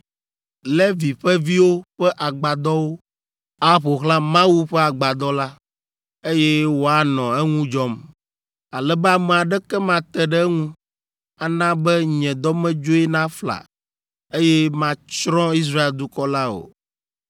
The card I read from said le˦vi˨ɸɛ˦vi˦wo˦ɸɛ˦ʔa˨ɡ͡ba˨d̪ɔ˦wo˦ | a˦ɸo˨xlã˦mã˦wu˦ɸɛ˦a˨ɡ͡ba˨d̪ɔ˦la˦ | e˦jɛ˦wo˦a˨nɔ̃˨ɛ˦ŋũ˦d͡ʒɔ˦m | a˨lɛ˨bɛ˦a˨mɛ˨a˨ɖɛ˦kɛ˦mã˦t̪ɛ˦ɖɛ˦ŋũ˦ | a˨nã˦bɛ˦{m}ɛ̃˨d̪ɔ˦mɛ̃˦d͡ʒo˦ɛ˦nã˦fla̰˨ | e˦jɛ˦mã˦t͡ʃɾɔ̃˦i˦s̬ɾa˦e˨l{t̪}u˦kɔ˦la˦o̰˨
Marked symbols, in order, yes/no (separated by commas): no, no